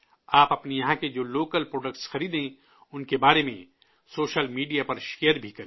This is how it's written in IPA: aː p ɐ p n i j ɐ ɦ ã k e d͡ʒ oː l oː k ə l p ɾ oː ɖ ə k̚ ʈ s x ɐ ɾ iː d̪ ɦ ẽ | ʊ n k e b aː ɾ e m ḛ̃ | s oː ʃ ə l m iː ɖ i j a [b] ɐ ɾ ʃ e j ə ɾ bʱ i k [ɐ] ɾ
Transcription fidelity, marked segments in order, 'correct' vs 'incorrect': incorrect, correct

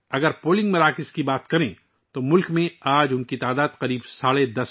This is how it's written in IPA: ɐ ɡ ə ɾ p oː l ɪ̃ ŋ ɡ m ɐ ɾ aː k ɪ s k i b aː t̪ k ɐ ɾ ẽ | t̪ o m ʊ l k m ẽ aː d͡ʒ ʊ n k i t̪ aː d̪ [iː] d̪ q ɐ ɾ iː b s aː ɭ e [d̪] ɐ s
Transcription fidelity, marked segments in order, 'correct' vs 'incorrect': incorrect, correct

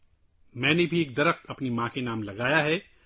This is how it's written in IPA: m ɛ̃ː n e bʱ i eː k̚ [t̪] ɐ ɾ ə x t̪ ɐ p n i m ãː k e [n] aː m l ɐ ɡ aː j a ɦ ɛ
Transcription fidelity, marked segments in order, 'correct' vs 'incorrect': incorrect, correct

